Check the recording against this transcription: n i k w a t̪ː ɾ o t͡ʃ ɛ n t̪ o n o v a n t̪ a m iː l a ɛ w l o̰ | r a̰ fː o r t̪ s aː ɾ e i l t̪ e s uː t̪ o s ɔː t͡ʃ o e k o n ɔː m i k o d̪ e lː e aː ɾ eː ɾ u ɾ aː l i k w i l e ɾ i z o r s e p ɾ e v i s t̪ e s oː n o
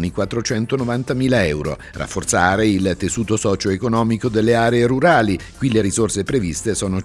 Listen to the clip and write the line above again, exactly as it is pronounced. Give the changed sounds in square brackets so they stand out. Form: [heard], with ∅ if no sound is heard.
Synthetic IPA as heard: n i k w a t̪ː ɾ o t͡ʃ ɛ n t̪ o n o v a n t̪ a m iː l a ɛ w [ɾ] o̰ | r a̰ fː o r t̪ s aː ɾ e i l t̪ e s uː t̪ o s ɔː t͡ʃ o e k o n ɔː m i k o d̪ e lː e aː ɾ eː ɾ u ɾ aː l i k w i l e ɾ i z o r s e p ɾ e v i s t̪ e s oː n o